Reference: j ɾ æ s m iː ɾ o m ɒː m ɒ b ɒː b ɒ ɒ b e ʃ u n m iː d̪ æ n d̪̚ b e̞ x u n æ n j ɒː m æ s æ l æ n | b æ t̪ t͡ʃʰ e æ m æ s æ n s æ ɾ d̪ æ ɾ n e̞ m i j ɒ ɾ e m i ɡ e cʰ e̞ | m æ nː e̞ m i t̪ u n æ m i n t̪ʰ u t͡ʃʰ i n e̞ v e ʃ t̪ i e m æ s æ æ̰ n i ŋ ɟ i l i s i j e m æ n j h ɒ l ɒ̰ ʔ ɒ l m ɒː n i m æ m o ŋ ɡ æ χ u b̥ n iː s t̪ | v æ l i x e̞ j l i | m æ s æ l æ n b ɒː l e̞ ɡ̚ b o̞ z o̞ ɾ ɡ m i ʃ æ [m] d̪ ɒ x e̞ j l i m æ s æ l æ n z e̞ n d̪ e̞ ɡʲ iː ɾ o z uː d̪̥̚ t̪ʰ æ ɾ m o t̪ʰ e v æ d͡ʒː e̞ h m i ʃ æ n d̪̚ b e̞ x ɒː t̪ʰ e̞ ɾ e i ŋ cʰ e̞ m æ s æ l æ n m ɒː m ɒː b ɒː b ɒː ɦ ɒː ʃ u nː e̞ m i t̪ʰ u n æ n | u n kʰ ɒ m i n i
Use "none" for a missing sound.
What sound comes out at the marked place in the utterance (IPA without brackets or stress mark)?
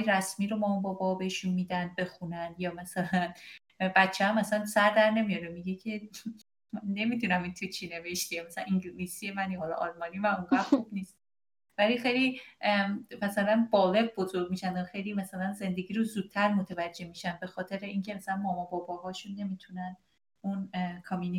n